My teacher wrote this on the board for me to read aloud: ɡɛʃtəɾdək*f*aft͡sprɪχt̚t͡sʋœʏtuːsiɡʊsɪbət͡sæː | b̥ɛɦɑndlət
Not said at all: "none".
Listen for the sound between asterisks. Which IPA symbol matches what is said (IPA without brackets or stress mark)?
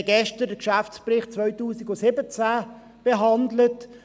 ʃ